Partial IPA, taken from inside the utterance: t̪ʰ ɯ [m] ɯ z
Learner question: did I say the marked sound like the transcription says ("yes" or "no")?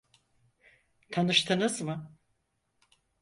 no